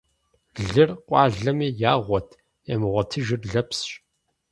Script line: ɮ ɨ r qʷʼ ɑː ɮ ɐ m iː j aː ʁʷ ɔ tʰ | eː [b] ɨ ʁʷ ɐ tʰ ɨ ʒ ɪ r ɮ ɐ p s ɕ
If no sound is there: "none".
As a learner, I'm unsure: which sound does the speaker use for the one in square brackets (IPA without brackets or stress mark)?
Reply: m